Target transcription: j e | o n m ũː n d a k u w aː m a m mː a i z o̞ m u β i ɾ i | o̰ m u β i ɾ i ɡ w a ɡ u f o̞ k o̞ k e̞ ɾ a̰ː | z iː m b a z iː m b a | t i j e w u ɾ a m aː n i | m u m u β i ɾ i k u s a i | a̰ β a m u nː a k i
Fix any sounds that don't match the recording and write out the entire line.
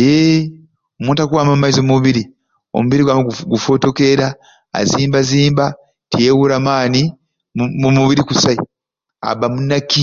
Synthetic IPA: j e | o m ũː n t a k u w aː m a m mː a i z o̞ m u β i ɾ i | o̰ m u β i ɾ i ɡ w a ɡ u f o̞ t o̞ k e̞ ɾ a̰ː | z iː m b a z iː m b a | t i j e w u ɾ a m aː n i | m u m u β i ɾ i k u s a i | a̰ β a m u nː a k i